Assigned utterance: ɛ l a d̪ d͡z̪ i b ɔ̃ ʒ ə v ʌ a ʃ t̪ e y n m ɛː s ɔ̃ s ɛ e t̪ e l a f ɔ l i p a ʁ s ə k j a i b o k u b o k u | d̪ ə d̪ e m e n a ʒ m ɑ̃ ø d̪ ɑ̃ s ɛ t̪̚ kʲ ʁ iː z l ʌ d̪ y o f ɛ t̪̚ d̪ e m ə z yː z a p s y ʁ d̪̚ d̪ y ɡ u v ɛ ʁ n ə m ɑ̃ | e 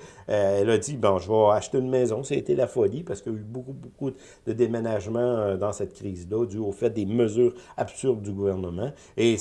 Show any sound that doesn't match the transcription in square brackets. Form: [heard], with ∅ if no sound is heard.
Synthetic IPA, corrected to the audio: ɛ l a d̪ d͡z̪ i b ɔ̃ ʒ ə v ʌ a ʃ t̪ e y n m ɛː [z] ɔ̃ s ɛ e t̪ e l a f ɔ l i p a ʁ s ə k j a [y] b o k u b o k u | d̪ ə d̪ e m e n a ʒ m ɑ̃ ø d̪ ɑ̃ s ɛ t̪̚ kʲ ʁ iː z l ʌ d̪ y o f ɛ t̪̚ d̪ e m ə z yː [ʁ] a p s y ʁ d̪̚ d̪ y ɡ u v ɛ ʁ n ə m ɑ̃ | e